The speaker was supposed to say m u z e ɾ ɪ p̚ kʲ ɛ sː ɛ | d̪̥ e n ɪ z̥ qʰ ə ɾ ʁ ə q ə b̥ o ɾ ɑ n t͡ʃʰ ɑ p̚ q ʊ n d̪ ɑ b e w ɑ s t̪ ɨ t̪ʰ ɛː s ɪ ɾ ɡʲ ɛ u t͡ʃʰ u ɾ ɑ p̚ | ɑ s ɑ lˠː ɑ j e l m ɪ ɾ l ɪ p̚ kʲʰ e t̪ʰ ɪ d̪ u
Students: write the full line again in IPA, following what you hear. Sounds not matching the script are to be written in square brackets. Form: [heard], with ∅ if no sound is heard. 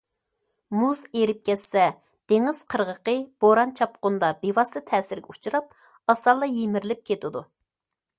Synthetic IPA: m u z e ɾ ɪ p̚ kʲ ɛ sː ɛ | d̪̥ e [ŋ] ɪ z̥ qʰ ə ɾ ʁ ə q ə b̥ o ɾ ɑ n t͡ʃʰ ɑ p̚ q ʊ n d̪ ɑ b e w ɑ s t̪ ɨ t̪ʰ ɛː s ɪ ɾ ɡʲ ɛ u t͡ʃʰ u ɾ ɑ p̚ | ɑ s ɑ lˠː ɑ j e [∅] m ɪ ɾ l ɪ p̚ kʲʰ e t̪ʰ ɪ d̪ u